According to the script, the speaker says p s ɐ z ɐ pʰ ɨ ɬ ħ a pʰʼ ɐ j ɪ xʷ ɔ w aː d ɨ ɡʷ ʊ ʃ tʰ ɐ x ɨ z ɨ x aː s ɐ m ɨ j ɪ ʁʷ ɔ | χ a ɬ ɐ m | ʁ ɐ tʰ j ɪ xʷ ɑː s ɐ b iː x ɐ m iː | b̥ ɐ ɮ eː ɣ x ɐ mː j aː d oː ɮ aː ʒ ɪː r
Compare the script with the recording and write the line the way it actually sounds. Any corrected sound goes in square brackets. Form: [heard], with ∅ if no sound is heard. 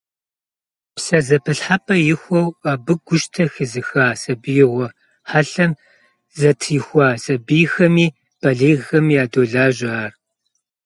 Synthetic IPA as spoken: p s ɐ z ɐ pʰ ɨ ɬ ħ a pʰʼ ɐ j ɪ xʷ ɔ w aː [b] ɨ ɡʷ ʊ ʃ tʰ ɐ x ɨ z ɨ x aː s ɐ [b] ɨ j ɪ ʁʷ ɔ | [ħ] a ɬ ɐ m | [z] ɐ tʰ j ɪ xʷ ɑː s ɐ b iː x ɐ m iː | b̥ ɐ ɮ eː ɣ x ɐ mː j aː d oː ɮ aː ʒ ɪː r